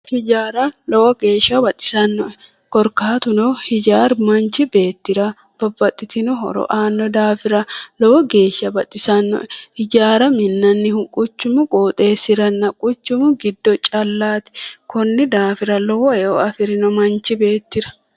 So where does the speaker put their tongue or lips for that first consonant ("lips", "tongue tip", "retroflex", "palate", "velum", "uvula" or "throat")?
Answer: throat